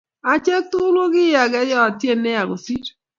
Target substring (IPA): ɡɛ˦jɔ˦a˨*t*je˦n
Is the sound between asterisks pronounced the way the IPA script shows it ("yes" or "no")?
yes